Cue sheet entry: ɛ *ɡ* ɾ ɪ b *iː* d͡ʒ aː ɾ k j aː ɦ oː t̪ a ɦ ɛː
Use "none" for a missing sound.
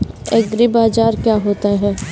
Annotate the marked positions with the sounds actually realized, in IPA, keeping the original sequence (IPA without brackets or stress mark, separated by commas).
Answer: ɡ, aː